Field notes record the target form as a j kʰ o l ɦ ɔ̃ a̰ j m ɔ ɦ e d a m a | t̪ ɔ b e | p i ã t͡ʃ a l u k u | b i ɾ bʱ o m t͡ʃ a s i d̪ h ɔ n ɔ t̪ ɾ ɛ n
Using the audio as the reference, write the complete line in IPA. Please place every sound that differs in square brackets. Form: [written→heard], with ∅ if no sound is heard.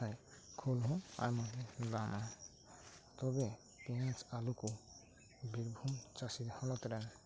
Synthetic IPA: a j kʰ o l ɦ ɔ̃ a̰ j m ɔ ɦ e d a m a | t̪ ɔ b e | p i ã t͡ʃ a l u k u | b i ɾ bʱ [o→u] m t͡ʃ a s i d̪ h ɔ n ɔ t̪ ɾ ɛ n